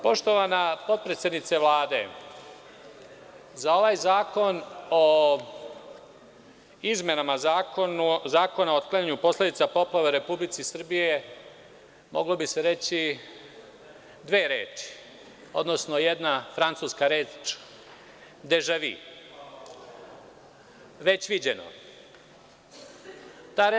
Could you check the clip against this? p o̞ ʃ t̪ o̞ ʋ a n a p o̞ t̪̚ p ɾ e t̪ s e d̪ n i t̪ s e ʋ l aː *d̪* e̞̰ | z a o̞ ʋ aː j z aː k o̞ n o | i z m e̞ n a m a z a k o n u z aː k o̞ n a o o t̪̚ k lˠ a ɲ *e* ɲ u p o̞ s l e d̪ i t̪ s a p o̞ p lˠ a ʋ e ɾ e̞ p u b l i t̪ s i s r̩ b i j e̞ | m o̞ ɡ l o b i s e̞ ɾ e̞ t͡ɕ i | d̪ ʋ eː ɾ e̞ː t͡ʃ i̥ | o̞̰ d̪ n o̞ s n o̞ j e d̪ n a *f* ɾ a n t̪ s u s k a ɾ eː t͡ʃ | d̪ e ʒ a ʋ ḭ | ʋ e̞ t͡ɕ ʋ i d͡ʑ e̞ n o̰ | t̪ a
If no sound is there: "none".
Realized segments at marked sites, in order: d̪, a, f

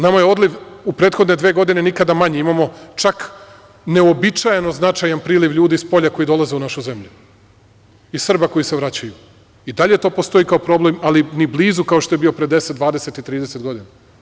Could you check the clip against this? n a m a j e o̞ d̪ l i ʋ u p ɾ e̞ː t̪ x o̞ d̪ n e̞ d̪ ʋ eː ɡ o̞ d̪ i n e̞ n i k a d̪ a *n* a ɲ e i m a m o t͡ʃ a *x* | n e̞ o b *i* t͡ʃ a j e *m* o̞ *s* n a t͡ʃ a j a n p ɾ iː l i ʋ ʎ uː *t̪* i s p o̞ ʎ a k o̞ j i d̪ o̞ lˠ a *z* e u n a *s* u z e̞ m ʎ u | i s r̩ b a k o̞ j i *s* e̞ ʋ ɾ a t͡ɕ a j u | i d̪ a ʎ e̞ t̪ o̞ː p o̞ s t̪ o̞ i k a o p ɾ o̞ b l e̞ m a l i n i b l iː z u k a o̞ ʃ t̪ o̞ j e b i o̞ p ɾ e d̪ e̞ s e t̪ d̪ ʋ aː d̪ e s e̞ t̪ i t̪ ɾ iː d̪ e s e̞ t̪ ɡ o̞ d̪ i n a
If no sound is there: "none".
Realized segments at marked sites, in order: m, k, i, n, z, d̪, z, ʃ, s

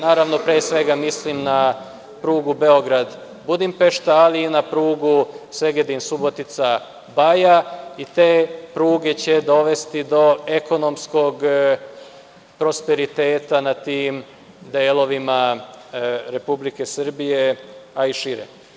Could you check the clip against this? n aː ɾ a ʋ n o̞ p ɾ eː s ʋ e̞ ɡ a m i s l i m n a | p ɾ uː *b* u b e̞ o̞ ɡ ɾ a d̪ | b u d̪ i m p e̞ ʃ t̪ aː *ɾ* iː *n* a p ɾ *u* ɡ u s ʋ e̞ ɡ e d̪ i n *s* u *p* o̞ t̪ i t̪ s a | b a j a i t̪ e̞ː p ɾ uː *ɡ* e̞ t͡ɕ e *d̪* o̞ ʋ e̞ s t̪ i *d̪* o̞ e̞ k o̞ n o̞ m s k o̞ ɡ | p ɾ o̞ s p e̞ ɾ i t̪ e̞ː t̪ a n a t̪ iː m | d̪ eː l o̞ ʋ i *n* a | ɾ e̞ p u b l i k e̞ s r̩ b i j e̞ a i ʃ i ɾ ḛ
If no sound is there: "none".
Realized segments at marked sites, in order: ɡ, l, n, uː, s, b, ɡ, d̪, d̪, m

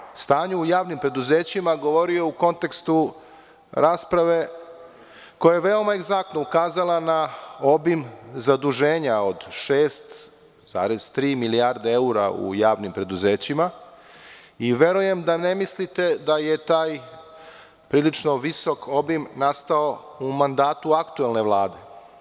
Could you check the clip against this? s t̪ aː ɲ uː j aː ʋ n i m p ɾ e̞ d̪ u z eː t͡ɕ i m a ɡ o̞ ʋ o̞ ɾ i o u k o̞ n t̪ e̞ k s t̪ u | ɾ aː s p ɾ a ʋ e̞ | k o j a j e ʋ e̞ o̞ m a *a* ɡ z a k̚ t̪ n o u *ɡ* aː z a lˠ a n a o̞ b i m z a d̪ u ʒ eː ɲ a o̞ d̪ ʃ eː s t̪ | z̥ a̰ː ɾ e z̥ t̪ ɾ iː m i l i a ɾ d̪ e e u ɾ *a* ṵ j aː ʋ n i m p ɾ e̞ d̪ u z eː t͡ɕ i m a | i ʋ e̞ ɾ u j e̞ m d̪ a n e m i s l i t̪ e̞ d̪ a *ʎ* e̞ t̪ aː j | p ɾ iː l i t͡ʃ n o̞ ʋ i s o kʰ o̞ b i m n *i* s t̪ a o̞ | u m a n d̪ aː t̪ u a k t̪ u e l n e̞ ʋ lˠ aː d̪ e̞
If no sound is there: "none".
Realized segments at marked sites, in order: e, k, a, j, a

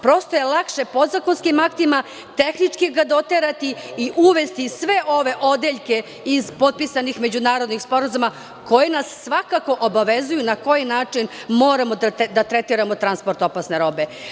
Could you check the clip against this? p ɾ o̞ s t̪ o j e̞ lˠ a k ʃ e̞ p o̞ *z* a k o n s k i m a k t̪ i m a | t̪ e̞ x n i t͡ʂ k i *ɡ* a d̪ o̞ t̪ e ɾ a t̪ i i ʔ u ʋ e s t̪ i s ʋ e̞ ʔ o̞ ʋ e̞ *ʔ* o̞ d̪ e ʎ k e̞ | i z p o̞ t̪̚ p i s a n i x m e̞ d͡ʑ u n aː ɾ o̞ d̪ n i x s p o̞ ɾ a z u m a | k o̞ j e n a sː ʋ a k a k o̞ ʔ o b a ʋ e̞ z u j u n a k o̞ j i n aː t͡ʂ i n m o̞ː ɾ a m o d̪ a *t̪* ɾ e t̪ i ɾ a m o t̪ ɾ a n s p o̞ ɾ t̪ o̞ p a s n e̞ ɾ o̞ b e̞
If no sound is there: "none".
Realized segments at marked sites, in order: z, ɡ, ʔ, t̪

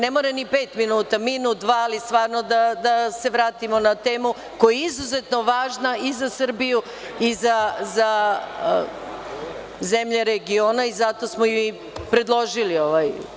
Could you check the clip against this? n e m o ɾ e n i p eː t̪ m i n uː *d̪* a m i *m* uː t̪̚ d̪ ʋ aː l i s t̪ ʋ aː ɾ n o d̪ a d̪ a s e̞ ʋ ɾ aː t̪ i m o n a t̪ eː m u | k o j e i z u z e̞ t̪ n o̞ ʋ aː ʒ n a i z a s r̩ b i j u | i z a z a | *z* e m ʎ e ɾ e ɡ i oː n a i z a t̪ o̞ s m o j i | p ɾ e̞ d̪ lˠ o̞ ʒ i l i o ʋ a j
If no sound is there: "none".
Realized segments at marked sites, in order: t̪, n, z

